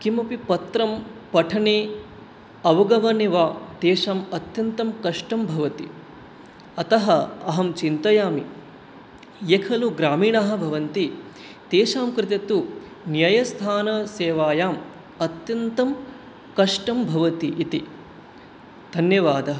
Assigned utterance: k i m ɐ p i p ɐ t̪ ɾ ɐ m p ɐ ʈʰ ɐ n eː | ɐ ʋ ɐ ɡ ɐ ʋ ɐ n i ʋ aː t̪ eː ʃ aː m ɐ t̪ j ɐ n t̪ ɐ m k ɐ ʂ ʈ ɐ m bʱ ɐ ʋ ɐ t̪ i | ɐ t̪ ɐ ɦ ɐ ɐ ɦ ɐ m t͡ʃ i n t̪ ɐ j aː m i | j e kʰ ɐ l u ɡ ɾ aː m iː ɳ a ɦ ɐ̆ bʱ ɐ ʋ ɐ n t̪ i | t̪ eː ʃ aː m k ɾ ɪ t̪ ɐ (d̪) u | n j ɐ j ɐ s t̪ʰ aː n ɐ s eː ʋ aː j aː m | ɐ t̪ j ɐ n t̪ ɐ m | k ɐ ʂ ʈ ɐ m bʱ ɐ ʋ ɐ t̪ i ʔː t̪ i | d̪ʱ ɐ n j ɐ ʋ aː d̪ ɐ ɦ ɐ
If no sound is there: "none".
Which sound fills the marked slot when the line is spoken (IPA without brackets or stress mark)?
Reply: t̪